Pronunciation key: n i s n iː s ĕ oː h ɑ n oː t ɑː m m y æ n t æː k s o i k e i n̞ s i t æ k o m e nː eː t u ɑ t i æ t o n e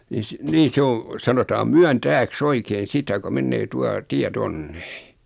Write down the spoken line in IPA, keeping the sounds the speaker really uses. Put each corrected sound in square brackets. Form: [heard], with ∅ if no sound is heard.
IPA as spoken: n i s n iː s ĕ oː [s] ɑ n [o] t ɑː m m y æ n t æː k s o i k e i n̞ s i t æ k o m e nː eː t u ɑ t i æ t o [nː] e